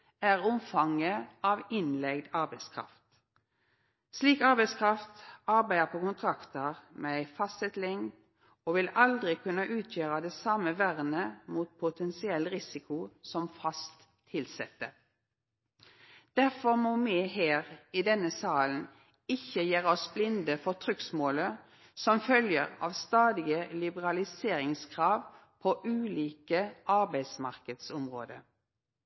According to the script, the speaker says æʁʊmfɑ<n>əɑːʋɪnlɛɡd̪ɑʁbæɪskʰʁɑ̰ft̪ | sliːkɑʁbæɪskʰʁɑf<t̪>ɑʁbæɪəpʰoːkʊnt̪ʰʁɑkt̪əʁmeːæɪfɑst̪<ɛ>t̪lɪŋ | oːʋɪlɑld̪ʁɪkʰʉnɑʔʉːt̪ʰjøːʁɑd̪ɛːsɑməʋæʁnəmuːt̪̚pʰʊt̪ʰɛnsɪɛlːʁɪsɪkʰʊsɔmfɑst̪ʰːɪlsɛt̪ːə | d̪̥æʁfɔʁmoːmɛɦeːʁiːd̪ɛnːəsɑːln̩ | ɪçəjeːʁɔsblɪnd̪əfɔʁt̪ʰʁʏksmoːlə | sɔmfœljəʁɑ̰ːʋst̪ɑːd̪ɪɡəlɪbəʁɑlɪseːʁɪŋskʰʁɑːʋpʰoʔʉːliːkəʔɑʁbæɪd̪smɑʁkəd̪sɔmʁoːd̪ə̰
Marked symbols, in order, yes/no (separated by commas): no, yes, yes